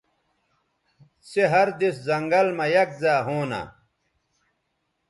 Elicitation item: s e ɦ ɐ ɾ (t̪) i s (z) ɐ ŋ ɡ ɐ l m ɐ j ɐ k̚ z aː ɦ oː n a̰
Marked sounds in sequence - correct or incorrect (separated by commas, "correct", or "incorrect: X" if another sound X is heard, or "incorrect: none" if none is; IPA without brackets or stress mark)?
incorrect: d̪, correct